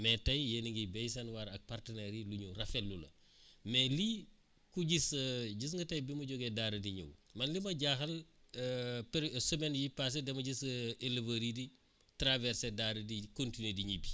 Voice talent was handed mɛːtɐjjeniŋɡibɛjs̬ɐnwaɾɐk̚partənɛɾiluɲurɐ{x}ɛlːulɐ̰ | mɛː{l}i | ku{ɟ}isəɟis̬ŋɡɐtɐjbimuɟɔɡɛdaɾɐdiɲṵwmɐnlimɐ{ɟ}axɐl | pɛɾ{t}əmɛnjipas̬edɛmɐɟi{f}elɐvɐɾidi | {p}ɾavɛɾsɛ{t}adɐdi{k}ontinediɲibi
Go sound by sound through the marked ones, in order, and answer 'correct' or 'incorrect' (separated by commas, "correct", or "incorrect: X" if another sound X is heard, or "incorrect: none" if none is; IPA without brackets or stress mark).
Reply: incorrect: f, correct, correct, correct, incorrect: s, incorrect: s, incorrect: t, incorrect: d, correct